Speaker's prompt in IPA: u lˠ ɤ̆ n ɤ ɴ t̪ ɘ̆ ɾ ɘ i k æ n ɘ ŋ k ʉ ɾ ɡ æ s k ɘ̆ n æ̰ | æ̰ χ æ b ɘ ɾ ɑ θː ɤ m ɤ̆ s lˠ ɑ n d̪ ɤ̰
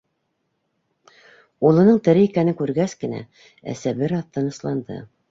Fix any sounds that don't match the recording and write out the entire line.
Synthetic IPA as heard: u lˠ ɤ̆ n ɤ ɴ t̪ ɘ̆ ɾ ɘ i k æ n ɘ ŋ k ʉ ɾ ɡ æ s k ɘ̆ n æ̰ | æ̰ s æ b ɘ ɾ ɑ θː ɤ n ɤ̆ s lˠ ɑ n d̪ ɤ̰